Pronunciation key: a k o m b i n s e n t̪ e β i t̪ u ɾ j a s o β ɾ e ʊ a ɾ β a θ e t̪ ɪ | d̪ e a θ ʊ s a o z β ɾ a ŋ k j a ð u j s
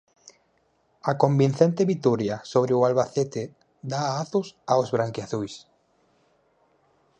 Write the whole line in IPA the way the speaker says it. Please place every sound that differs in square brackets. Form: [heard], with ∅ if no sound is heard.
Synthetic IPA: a k o m b i n [θ] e n t̪ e β i t̪ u ɾ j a s o β ɾ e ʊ a [l] β a θ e t̪ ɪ | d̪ [a] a θ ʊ s a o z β ɾ a ŋ k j a [θ] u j s

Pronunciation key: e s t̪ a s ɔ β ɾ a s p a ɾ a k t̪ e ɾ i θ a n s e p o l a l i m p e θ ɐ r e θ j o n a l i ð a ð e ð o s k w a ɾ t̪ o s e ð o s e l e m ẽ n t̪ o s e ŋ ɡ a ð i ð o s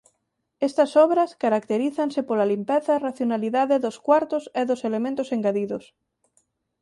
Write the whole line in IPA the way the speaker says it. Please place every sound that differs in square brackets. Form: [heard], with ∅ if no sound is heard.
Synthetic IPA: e s t̪ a s ɔ β ɾ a s [k] a ɾ a k t̪ e ɾ i θ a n s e p o l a l i m p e θ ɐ r [a] θ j o n a l i ð a ð e ð o s k w a ɾ t̪ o s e ð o s e l e m ẽ n t̪ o s e ŋ ɡ a ð i ð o s

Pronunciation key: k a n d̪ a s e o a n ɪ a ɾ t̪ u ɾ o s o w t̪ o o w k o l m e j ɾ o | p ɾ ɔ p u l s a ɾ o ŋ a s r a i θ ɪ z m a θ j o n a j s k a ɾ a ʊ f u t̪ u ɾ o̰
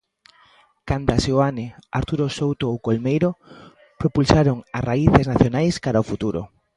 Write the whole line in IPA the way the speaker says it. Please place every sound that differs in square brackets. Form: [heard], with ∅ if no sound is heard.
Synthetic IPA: k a n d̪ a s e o a n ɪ a ɾ t̪ u ɾ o s o w t̪ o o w k o l m e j ɾ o | p ɾ [o] p u l s a ɾ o ŋ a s r a i θ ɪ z [n] a θ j o n a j s k a ɾ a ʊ f u t̪ u ɾ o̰

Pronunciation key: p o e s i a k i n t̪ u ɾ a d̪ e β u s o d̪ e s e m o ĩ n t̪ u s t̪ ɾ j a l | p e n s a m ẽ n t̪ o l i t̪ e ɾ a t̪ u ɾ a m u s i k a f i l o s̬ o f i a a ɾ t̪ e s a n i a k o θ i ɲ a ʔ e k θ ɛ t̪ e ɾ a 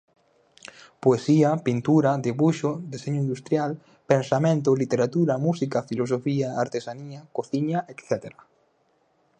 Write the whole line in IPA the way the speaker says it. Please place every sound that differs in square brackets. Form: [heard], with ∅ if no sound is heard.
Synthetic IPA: p o e s i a [p] i n t̪ u ɾ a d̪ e β u [ʃ] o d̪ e s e [ɲ] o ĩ n [d̪] u s t̪ ɾ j a l | p e n s a m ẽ n t̪ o l i t̪ e ɾ a t̪ u ɾ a m u s i k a f i l o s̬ o f i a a ɾ t̪ e s a n i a k o θ i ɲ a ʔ e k θ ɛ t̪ e ɾ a

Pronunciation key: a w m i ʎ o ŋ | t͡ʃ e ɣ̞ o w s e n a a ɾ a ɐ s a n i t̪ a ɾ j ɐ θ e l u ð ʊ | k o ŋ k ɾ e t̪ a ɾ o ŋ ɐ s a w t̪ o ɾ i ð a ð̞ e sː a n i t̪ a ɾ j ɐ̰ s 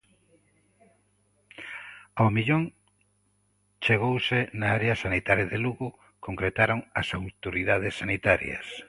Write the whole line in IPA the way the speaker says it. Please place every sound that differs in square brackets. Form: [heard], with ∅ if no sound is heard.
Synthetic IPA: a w m i ʎ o ŋ | t͡ʃ e ɣ̞ o w s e n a a ɾ [e] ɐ s a n i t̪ a ɾ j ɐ [ð] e l u [ɣ] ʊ | k o ŋ k ɾ e t̪ a ɾ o ŋ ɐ s a w t̪ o ɾ i ð a ð̞ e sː a n i t̪ a ɾ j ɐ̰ s

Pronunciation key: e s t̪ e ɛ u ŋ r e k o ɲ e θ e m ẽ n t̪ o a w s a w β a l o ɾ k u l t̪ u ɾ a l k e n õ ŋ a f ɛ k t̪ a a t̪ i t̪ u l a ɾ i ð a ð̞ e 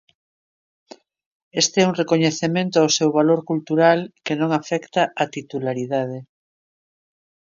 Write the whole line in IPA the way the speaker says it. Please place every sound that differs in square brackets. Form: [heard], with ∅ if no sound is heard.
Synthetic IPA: e s t̪ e ɛ u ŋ r e k o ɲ e θ e m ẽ n t̪ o a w s [e] w β a l o ɾ k u l t̪ u ɾ a l k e n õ ŋ a f ɛ k t̪ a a t̪ i t̪ u l a ɾ i ð a ð̞ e

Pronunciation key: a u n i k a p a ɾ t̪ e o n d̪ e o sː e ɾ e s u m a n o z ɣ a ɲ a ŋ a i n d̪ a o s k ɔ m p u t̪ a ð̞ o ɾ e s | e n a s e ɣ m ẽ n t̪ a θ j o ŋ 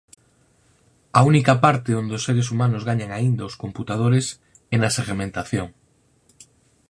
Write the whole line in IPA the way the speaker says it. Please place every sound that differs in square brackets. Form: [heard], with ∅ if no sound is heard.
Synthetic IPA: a u n i k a p a ɾ t̪ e o n d̪ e o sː e ɾ e s u m a n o z ɣ a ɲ a ŋ a i n d̪ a o s k [o] m p u t̪ a ð̞ o ɾ e s | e n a s e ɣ m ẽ n t̪ a θ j o ŋ

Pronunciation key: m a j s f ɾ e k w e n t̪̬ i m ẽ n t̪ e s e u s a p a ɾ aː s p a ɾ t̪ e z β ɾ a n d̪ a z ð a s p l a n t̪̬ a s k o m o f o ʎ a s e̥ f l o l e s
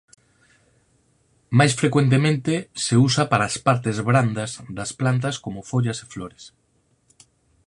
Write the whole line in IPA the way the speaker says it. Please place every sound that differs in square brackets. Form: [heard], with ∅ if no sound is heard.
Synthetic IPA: m a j s f ɾ e k w e n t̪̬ [e] m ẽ n t̪ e s e u s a p a ɾ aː s p a ɾ t̪ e z β ɾ a n d̪ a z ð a s p l a n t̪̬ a s k o m o f o ʎ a s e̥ f l o [ɾ] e s

